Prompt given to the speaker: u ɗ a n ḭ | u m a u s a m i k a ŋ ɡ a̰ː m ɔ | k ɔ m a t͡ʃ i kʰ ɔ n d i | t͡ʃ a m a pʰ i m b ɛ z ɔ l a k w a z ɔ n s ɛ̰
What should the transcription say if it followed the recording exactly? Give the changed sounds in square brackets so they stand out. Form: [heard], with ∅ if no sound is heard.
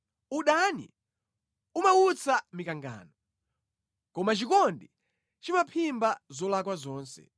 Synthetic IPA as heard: u ɗ a n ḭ | u m a u [t͡s] a m i k a ŋ ɡ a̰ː [n] ɔ | k ɔ m a t͡ʃ i [k] ɔ n d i | t͡ʃ [i] m a pʰ i m b [a] z ɔ l a k w a z [ɔː] n s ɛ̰

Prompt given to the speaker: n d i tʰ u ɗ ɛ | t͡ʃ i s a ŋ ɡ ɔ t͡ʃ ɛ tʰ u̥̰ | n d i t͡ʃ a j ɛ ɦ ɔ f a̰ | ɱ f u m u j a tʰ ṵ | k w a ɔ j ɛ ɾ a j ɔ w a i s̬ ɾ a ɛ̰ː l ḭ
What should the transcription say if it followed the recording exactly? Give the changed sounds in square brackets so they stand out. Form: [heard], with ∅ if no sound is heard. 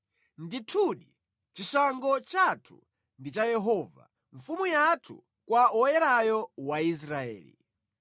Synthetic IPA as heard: n d i tʰ u ɗ [i] | t͡ʃ i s a ŋ ɡ ɔ t͡ʃ [a] tʰ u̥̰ | n d i t͡ʃ a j ɛ ɦ ɔ [v] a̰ | ɱ f u m u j a tʰ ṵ | k w a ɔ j ɛ ɾ a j ɔ w a i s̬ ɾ a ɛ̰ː l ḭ

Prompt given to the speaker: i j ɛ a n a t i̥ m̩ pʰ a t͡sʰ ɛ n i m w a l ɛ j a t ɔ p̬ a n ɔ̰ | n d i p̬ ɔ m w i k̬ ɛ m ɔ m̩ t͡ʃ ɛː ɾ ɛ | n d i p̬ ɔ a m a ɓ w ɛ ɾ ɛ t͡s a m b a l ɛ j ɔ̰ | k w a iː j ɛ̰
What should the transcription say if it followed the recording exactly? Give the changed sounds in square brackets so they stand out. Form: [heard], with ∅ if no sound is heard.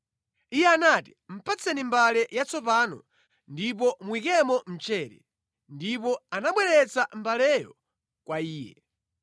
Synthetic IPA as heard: i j ɛ a n a t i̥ m̩ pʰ a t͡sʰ ɛ n i m [b] a l ɛ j a [t͡s] ɔ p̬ a n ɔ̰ | n d i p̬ ɔ m w i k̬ ɛ m ɔ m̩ t͡ʃ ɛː ɾ ɛ | n d i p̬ ɔ a [n] a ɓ w ɛ ɾ ɛ t͡s a m b a l ɛ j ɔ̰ | k w a iː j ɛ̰

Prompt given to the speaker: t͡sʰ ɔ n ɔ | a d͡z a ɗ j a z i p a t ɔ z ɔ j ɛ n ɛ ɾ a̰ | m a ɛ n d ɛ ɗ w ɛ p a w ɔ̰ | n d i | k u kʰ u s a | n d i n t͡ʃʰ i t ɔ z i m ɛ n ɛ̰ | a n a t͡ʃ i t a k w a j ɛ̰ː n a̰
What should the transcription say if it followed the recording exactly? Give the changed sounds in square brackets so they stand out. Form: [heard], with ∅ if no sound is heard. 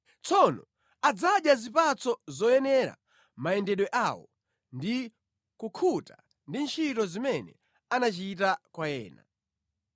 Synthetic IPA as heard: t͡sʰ ɔ n ɔ | a d͡z a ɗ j a z i p a [t͡s] ɔ z ɔ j ɛ n ɛ ɾ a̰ | m a ɛ n d ɛ ɗ w ɛ [ʔ] a w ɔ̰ | n d i | k u kʰ u [t] a | n d i n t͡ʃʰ i t ɔ z i m ɛ n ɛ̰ | a n a t͡ʃ i t a k w a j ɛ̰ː n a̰

